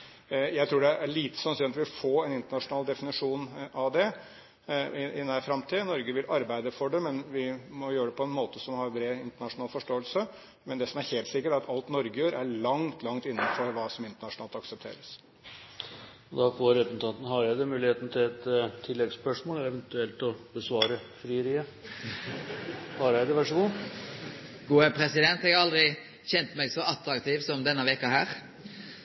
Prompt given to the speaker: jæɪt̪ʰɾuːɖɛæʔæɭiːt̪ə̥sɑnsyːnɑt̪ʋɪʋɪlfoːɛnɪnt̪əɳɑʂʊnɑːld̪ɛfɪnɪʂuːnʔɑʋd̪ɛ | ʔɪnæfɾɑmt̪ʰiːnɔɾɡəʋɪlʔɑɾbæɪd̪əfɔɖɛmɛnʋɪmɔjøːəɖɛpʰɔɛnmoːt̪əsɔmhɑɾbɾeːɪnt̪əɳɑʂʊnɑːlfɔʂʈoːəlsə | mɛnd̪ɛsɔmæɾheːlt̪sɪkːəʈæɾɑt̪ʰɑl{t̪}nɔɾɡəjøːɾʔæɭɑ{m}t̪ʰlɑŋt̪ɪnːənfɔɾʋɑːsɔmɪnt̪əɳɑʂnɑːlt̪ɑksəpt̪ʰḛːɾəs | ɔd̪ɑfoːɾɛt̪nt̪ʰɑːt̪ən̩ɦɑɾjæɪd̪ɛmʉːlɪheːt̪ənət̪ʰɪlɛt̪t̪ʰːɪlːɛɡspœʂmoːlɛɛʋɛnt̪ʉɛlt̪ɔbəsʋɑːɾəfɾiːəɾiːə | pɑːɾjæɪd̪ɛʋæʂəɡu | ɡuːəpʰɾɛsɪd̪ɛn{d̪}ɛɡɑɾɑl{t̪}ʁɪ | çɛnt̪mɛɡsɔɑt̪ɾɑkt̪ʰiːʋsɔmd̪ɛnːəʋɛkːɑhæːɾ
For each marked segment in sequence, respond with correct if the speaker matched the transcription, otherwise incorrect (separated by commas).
correct, incorrect, incorrect, incorrect